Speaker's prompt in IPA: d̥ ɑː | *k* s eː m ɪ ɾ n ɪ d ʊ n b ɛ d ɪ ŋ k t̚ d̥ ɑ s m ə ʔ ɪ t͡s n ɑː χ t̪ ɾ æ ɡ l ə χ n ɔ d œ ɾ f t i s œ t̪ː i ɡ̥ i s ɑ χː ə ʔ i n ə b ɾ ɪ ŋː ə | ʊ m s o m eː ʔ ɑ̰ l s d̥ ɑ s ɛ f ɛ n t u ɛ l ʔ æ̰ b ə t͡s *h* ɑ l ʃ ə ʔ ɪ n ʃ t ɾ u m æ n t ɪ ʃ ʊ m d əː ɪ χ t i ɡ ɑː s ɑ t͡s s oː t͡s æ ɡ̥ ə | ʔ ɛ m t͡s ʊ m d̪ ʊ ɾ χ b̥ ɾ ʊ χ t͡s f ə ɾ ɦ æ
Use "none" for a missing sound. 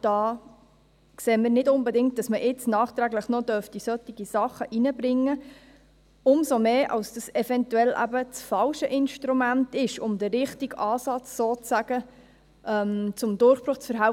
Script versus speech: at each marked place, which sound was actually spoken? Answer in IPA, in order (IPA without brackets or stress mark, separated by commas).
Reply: k, f